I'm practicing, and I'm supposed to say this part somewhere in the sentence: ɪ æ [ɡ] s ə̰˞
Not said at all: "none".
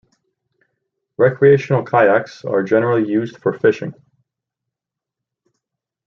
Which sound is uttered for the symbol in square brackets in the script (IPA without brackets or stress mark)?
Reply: k